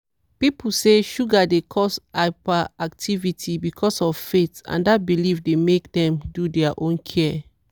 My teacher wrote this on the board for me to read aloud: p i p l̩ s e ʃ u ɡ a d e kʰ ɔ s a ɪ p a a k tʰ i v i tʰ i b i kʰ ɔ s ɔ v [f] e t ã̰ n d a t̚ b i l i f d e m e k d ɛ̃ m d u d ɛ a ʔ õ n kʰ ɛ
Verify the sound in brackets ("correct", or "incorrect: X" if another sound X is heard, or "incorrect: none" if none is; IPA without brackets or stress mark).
correct